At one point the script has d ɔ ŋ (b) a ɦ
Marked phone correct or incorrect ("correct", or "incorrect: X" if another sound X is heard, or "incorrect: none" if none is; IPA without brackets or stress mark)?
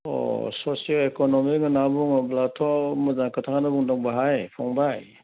correct